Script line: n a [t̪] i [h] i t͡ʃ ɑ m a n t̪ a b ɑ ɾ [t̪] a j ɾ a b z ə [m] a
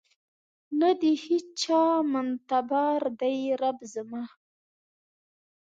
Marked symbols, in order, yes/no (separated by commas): no, yes, no, yes